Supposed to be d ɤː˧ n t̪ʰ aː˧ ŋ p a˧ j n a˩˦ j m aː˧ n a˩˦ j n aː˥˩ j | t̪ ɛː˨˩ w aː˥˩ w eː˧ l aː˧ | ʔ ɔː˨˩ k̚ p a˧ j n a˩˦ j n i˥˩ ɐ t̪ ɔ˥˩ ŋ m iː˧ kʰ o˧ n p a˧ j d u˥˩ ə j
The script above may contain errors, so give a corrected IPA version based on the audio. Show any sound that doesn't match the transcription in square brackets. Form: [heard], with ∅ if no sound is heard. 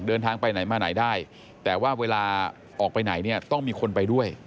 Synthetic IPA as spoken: d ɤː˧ n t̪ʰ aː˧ ŋ p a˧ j n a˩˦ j m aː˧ n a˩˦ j [d] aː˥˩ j | t̪ ɛː˨˩ w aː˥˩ w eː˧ l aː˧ | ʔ ɔː˨˩ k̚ p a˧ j n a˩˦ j n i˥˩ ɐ t̪ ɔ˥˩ ŋ m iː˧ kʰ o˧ n p a˧ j d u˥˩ ə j